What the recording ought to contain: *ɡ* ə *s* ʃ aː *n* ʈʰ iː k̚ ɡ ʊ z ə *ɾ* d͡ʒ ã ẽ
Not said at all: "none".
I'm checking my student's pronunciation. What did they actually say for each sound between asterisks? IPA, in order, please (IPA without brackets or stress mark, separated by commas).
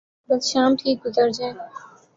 b, s, m, ɾ